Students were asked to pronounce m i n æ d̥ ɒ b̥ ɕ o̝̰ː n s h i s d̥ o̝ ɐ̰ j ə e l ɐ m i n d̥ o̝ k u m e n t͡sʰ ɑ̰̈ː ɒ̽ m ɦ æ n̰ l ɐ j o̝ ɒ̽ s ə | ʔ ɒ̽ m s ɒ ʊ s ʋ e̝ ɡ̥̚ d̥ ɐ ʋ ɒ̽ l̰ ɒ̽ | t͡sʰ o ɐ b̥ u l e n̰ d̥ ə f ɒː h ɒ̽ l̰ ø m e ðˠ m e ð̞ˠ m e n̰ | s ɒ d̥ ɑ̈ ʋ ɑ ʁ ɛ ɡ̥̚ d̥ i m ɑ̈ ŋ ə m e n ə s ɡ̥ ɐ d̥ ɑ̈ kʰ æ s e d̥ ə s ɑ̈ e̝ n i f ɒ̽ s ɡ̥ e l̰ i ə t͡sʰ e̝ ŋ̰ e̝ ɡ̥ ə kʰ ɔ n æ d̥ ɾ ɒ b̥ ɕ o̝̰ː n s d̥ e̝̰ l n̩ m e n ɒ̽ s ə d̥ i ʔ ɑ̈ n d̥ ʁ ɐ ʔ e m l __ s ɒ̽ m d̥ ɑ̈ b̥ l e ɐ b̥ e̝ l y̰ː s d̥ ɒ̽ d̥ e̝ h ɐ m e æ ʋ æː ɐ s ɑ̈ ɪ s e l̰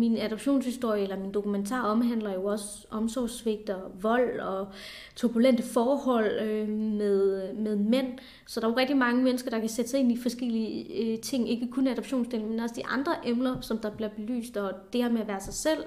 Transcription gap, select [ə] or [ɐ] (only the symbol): ɐ